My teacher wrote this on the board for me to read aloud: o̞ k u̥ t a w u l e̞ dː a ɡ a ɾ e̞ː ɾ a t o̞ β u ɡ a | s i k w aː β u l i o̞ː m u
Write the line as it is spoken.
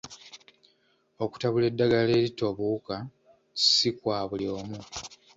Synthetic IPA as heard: o̞ k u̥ t a β u l e̞ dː a ɡ a l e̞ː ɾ i t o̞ β u k a | s i k w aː β u l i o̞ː m u